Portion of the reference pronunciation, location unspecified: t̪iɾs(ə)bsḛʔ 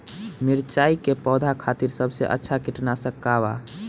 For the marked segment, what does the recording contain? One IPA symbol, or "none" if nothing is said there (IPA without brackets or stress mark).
ə